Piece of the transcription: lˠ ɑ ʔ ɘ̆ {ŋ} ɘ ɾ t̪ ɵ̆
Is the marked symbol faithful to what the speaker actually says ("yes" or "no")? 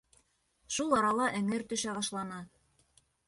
yes